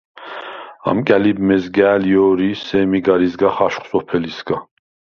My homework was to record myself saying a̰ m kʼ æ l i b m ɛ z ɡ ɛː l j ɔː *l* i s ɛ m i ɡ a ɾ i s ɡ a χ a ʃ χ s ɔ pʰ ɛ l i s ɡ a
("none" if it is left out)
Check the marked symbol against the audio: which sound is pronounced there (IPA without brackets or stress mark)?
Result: ɾ